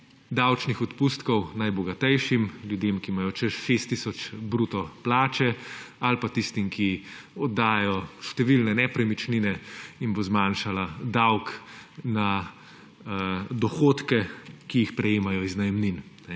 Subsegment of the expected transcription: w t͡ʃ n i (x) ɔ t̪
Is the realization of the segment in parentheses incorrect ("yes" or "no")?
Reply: no